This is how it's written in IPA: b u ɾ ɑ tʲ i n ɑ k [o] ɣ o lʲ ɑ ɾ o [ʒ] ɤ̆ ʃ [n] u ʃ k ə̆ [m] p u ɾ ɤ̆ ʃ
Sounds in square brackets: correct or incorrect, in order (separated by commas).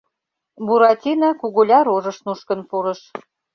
incorrect, correct, correct, incorrect